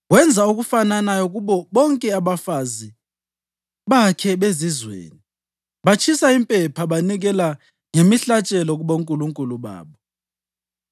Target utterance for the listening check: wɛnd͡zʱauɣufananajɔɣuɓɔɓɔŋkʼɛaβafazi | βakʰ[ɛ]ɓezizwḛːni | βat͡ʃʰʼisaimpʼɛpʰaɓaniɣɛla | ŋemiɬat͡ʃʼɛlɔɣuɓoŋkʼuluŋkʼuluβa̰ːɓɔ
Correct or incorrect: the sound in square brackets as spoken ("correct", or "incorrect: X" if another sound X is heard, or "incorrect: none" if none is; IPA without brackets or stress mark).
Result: correct